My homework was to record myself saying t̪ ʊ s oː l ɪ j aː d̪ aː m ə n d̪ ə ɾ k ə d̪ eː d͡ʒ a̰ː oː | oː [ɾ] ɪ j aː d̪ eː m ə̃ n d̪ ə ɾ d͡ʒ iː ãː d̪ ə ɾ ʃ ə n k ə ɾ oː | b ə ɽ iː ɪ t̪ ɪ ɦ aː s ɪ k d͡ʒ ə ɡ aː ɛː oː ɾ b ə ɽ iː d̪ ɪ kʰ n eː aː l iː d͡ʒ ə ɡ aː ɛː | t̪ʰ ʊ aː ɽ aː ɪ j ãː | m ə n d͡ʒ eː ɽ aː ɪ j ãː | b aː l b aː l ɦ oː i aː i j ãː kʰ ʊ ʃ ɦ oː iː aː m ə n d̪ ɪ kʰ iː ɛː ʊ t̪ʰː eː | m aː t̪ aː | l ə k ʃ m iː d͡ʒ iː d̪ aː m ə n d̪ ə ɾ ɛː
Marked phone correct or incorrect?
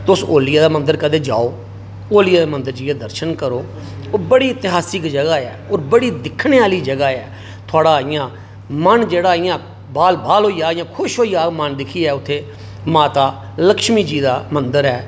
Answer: incorrect